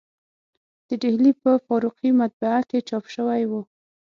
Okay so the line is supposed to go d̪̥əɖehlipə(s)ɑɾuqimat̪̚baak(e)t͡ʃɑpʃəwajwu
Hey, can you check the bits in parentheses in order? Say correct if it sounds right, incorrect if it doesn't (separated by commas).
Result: incorrect, correct